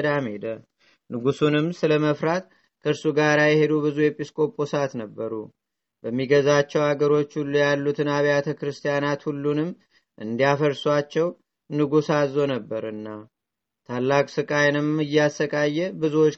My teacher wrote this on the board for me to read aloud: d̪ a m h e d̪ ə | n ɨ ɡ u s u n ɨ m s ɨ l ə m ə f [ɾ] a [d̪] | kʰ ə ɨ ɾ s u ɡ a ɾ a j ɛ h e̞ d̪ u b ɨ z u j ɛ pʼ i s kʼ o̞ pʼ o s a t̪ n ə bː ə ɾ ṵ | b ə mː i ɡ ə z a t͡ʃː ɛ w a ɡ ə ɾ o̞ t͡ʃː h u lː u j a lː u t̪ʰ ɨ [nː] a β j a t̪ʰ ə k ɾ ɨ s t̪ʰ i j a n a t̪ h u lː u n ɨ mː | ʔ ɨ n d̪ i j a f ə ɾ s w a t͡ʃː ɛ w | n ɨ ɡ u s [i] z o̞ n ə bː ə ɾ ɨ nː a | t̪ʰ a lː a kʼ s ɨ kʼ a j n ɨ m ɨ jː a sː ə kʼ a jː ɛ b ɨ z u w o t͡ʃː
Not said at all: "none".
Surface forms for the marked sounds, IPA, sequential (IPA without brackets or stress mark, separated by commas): ɾ, t̪, n, a